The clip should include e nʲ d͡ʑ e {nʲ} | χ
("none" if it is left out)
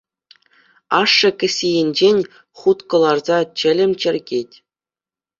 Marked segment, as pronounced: nʲ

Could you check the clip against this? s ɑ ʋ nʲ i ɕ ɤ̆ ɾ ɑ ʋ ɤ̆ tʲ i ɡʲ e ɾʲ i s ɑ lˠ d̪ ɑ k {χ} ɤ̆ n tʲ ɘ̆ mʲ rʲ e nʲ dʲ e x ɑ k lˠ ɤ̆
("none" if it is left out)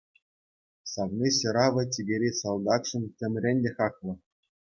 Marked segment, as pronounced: ʂ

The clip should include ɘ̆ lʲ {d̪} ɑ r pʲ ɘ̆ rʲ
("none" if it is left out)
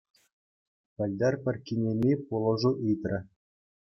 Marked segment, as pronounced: d̪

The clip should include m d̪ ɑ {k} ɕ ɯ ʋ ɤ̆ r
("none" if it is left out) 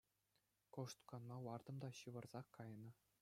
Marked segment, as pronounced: none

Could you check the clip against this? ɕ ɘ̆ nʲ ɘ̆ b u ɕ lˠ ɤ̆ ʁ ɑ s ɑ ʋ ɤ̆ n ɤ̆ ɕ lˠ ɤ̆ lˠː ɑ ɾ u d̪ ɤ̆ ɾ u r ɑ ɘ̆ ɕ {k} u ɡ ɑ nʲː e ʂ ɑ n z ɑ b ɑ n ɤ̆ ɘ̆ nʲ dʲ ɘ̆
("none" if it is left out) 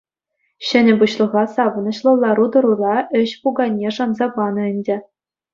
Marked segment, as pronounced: p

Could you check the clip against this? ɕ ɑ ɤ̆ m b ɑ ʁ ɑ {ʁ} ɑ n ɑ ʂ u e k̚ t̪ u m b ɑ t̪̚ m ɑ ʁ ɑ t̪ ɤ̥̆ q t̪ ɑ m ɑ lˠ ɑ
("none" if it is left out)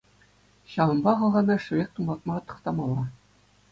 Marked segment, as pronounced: ʁ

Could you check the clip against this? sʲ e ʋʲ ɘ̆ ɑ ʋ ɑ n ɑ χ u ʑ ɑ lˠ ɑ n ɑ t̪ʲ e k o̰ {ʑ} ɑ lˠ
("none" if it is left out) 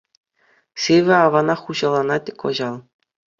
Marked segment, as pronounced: ʑ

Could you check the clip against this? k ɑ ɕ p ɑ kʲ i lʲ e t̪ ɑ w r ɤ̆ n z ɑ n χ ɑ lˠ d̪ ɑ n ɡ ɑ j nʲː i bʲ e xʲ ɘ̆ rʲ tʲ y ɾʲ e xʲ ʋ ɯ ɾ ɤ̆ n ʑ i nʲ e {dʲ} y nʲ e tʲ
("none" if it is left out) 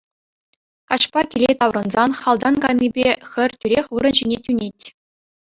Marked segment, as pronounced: tʲ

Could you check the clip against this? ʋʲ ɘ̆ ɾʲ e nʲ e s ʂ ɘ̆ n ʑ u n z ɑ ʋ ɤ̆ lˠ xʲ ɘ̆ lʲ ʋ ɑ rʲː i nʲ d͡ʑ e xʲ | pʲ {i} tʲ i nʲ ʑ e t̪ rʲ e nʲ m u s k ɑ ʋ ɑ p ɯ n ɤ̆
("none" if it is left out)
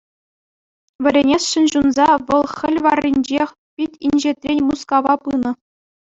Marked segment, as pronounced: i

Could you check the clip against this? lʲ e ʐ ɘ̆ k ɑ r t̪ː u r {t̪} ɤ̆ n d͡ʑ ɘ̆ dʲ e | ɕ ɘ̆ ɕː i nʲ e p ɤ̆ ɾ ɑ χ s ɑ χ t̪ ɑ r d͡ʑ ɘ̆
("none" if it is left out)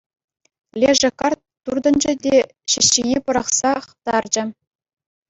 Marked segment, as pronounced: d̪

